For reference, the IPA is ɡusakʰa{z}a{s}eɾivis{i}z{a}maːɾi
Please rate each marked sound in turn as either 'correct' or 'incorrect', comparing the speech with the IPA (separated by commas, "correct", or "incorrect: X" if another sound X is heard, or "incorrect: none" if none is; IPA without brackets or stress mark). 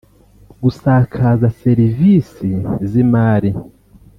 correct, correct, correct, incorrect: i